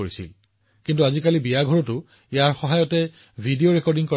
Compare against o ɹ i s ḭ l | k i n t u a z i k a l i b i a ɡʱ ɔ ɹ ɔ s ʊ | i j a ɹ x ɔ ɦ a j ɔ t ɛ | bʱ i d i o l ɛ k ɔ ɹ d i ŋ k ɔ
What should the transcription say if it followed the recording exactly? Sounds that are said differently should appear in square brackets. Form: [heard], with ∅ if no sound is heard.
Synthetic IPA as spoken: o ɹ i s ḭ l | k i n t u a z i k a l i b i a ɡʱ ɔ ɹ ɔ [t] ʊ | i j a ɹ x ɔ ɦ a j ɔ t ɛ | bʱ i d i o [ɹ] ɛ k ɔ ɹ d i ŋ k ɔ